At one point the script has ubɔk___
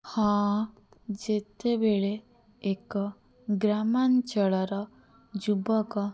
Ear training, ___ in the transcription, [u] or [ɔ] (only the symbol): ɔ